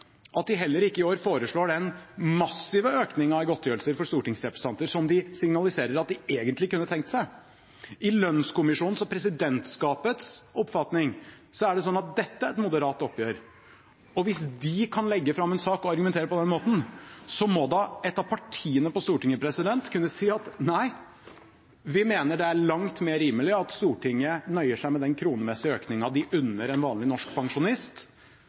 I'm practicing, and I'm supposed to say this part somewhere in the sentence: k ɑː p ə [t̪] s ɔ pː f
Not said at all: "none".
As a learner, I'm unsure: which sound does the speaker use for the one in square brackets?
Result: t̪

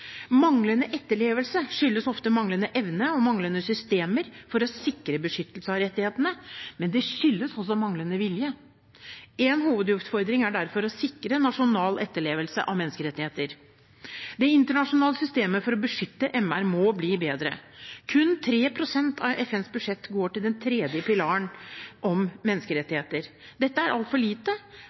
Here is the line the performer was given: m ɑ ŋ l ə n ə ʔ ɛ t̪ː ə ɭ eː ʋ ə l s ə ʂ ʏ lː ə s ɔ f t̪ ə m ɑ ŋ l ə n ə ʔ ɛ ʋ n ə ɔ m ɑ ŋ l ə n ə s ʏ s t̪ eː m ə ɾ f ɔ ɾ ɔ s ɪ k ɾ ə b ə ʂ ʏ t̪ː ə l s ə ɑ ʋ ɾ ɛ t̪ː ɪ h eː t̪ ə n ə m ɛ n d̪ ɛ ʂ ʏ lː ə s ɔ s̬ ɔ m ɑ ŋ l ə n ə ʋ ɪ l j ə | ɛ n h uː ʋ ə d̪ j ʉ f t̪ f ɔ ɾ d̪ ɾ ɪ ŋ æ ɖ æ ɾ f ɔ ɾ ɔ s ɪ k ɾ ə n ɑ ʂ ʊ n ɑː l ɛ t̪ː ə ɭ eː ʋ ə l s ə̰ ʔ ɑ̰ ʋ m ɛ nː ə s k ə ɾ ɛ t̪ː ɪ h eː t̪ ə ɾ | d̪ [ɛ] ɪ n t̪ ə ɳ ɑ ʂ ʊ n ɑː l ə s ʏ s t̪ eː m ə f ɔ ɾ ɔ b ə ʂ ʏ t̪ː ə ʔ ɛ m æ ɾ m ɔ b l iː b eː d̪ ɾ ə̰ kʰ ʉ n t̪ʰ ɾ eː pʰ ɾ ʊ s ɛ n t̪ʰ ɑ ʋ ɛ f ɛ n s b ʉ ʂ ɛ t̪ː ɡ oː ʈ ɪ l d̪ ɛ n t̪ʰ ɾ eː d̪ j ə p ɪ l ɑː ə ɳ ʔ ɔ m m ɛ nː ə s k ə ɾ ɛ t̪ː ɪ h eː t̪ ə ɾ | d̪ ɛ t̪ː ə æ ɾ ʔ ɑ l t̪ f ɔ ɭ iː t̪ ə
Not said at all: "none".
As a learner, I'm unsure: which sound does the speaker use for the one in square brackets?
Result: ɛ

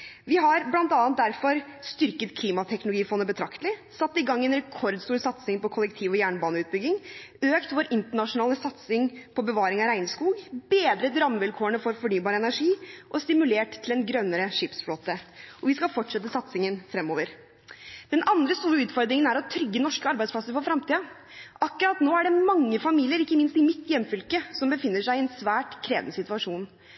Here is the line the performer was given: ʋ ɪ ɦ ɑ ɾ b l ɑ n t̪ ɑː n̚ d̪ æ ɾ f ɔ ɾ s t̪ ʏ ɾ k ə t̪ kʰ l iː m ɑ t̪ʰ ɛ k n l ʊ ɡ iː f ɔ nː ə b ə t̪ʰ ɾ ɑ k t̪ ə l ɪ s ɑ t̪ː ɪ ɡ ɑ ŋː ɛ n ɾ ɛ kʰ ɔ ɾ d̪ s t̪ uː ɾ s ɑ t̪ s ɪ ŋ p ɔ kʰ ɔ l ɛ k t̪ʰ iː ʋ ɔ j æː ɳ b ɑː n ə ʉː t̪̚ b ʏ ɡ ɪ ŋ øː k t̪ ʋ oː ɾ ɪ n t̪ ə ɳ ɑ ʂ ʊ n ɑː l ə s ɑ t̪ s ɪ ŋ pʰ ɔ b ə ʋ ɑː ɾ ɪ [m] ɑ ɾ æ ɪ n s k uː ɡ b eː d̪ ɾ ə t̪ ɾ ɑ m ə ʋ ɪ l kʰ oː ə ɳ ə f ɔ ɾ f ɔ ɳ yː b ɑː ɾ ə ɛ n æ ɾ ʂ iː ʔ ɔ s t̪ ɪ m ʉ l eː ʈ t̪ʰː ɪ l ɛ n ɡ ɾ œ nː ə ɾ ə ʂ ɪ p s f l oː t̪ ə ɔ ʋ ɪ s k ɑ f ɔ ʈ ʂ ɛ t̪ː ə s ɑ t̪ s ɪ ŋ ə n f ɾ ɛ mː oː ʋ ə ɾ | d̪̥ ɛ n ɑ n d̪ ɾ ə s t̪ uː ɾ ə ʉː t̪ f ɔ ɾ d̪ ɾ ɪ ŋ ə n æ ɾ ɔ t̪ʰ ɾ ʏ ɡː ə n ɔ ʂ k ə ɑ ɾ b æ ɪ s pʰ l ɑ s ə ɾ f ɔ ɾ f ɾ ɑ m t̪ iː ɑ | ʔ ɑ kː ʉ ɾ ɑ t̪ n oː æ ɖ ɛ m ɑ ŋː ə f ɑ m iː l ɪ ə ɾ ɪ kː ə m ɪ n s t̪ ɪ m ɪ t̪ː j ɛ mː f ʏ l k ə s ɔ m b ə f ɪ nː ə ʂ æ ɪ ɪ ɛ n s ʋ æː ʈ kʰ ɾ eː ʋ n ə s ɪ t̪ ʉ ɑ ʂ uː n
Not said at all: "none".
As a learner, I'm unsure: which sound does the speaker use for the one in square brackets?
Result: ŋ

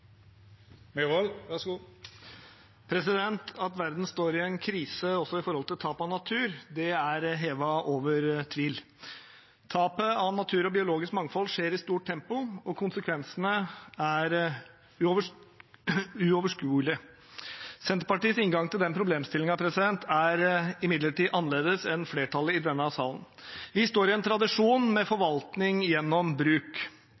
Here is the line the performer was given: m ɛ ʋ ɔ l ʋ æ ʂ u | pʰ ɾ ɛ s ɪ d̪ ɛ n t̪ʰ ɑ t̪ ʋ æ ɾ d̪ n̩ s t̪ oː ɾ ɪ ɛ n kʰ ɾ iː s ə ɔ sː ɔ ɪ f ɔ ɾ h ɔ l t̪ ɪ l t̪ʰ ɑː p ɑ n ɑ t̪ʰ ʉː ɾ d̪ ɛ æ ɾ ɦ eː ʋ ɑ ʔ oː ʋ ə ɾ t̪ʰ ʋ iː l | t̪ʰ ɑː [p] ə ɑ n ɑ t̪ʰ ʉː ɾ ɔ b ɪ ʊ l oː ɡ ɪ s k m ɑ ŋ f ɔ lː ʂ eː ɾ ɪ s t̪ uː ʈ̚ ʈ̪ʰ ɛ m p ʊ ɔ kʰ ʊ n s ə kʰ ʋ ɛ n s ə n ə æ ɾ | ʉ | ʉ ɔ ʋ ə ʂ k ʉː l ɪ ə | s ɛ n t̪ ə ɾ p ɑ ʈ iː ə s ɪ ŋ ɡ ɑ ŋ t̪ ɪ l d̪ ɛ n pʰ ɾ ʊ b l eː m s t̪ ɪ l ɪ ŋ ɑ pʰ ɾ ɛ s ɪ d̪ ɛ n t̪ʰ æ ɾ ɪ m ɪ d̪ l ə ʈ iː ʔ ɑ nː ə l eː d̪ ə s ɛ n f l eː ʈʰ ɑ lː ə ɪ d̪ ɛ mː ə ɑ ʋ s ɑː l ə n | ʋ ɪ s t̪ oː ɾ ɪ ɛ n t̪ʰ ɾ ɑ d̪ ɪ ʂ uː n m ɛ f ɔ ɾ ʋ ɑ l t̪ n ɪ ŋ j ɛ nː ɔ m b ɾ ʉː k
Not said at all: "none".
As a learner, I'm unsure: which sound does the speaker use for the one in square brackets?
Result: p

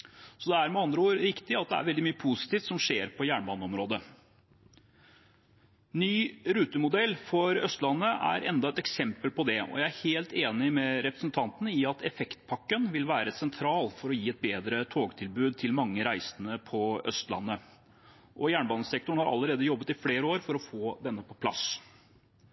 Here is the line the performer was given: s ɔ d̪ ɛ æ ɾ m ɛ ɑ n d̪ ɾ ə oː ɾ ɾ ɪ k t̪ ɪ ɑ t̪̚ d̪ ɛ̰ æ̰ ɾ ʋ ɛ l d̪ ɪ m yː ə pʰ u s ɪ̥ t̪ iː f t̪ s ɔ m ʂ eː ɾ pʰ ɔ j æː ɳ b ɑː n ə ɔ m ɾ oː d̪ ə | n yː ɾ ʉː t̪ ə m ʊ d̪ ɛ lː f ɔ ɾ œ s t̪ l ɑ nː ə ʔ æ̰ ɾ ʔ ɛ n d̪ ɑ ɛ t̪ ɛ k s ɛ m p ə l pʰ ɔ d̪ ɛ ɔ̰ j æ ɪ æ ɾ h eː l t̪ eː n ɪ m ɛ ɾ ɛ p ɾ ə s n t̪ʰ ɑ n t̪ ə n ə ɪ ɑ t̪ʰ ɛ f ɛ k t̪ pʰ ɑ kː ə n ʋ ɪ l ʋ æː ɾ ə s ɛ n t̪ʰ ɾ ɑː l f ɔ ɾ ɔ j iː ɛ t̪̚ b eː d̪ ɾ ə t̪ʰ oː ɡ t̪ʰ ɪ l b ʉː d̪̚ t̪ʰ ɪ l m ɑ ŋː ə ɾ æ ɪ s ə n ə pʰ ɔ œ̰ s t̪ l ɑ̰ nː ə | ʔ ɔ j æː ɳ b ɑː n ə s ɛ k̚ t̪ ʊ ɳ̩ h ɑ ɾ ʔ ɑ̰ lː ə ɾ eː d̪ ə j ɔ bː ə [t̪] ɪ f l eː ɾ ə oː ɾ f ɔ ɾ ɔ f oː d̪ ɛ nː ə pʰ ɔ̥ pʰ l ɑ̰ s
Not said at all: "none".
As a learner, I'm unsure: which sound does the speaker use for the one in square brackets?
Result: t̪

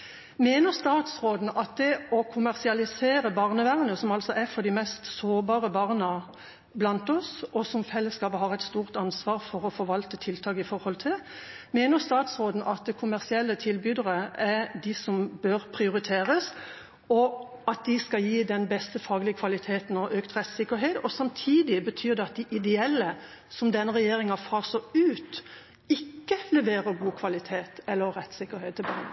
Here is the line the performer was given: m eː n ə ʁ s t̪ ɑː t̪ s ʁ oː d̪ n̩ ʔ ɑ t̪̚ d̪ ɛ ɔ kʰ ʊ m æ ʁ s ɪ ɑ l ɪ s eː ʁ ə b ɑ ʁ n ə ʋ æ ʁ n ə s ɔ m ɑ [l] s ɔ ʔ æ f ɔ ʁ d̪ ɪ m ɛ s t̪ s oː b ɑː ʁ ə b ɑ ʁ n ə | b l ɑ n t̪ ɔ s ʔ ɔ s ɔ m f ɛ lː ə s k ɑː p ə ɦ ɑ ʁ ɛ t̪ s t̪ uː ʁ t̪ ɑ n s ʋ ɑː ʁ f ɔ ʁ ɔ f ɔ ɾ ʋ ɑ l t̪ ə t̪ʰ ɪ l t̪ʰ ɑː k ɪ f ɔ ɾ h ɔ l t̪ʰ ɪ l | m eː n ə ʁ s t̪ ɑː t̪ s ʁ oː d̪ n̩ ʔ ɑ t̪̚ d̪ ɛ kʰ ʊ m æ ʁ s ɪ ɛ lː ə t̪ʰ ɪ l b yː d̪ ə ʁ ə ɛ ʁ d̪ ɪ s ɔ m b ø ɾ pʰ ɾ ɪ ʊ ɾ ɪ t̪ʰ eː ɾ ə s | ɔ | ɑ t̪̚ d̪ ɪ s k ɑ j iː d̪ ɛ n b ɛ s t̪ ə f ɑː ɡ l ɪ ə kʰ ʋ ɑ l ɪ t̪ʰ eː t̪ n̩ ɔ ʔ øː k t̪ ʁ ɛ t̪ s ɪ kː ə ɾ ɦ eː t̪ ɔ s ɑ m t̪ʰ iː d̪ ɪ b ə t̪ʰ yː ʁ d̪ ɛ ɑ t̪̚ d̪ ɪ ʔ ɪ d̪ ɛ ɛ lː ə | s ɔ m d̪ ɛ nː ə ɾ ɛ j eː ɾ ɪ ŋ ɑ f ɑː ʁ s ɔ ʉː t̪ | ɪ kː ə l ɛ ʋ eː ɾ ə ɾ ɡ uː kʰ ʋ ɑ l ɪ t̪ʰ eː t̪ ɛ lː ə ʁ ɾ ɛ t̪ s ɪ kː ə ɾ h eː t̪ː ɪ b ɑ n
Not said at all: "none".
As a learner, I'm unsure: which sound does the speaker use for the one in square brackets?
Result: l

